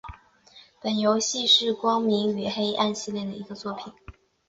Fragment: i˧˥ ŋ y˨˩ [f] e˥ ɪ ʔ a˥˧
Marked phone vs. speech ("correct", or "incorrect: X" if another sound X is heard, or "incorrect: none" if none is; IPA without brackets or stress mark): incorrect: x